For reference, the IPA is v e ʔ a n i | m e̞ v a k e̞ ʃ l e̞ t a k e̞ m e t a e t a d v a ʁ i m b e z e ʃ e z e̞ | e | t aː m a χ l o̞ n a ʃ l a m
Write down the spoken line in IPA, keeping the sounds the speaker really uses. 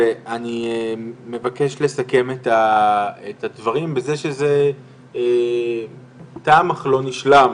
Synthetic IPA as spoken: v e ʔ a n i | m e̞ v a k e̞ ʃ l e̞ s a k e̞ m e t a e t a d v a ʁ i m b e z e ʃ e z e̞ | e | t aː m a χ l o̞ n i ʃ l a m